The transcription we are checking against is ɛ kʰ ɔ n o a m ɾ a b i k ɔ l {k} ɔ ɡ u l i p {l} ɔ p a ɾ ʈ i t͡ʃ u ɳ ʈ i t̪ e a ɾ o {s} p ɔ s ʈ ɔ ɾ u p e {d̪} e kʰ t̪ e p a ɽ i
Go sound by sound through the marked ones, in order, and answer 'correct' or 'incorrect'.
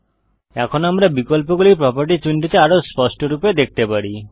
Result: incorrect, incorrect, correct, correct

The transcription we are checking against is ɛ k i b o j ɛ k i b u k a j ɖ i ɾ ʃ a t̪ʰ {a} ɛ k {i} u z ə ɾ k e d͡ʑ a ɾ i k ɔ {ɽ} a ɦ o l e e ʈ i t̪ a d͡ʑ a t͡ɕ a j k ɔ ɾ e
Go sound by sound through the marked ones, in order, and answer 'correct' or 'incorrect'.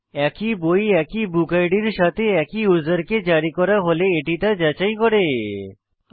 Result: incorrect, correct, incorrect

